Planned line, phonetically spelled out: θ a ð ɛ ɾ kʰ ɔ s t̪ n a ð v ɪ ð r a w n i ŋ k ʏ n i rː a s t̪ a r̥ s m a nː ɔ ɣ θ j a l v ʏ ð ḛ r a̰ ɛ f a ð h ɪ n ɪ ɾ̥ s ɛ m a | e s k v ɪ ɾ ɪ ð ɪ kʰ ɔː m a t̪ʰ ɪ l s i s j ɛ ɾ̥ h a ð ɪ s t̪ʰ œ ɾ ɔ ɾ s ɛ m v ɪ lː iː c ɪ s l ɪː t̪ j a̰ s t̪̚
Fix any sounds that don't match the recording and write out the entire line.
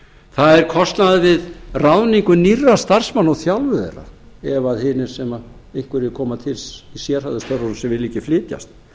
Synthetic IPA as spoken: θ a ð ɛ ɾ kʰ ɔ s t̪ n a ð v ɪ ð r a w n i ŋ k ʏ n i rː a s t̪ a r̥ s m a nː ɔ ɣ θ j a l v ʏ ð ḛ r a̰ ɛ v a ð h ɪ n ɪ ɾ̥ s ɛ m a | e h k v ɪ ɾ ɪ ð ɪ kʰ ɔː m a t̪ʰ ɪ l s i s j ɛ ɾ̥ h a ð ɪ s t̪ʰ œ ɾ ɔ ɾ s ɛ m v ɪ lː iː c ɪ f l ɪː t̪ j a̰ s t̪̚